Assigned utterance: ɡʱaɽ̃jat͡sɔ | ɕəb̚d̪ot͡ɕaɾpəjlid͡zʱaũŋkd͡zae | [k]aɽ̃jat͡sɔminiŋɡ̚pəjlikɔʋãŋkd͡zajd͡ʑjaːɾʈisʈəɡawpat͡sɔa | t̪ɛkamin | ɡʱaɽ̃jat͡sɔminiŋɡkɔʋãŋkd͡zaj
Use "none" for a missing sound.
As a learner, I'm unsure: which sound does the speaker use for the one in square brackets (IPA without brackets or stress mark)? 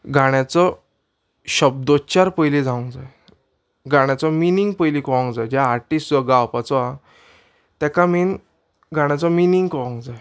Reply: ɡ